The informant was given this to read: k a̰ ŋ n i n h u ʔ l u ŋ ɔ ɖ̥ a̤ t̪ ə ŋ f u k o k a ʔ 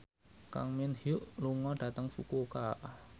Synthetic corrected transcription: k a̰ ŋ m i n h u ʔ l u ŋ ɔ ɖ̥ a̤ t̪ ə ŋ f u k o k a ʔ